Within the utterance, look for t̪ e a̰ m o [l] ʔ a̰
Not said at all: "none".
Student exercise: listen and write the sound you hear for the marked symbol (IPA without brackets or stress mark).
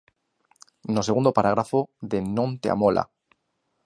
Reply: l